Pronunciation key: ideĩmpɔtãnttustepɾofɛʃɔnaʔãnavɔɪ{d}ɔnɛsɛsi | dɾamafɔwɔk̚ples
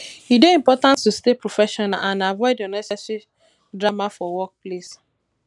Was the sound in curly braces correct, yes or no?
yes